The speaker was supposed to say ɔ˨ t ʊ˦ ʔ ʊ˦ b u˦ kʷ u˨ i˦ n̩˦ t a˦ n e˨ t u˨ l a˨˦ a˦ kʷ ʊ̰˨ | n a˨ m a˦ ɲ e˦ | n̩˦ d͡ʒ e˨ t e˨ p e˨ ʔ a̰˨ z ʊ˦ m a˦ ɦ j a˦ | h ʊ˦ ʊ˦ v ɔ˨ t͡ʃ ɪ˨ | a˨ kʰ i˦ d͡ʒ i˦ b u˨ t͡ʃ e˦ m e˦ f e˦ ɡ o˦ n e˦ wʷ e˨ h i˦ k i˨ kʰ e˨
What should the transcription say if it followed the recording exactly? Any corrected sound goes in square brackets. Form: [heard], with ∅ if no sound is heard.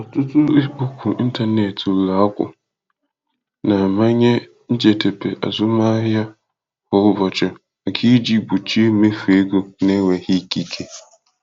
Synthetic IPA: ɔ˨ t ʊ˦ [t] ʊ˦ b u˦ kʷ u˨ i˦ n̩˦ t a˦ n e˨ t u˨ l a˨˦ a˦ kʷ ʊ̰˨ | n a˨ m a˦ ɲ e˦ | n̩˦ d͡ʒ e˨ t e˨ p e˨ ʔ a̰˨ z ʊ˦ m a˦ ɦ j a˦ | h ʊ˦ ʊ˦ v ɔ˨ t͡ʃ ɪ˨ | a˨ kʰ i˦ d͡ʒ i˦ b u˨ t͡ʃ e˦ m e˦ f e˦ ɡ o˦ n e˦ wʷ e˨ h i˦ k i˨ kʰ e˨